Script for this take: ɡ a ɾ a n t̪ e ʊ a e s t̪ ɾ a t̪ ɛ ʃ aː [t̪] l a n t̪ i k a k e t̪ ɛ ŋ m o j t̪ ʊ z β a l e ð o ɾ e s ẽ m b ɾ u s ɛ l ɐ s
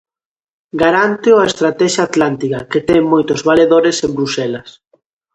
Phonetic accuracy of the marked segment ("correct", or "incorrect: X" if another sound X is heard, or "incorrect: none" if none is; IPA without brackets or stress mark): correct